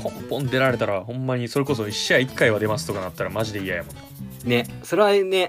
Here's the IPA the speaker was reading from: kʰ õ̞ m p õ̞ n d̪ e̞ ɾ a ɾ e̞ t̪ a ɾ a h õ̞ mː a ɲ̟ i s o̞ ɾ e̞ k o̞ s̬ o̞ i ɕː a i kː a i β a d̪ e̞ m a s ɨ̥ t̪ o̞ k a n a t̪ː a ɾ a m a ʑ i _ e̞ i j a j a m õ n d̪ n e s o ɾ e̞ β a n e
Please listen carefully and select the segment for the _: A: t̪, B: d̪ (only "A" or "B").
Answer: B